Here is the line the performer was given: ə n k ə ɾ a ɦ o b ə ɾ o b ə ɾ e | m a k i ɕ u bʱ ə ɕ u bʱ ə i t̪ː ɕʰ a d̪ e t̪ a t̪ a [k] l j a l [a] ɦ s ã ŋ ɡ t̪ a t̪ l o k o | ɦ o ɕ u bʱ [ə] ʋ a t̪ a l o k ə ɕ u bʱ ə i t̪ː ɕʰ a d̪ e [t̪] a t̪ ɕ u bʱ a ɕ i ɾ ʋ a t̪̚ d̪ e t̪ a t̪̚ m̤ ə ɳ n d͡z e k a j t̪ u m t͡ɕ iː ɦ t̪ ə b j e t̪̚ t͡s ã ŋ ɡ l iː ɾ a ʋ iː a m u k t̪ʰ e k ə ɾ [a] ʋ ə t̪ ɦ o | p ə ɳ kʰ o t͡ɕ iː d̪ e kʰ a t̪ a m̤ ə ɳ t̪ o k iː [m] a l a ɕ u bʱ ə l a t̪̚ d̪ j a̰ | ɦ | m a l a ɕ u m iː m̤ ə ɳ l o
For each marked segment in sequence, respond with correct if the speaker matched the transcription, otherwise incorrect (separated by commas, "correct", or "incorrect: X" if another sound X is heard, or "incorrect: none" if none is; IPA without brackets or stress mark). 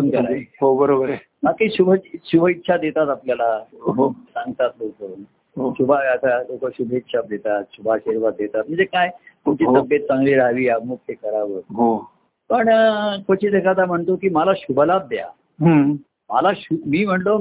incorrect: p, correct, incorrect: a, correct, correct, correct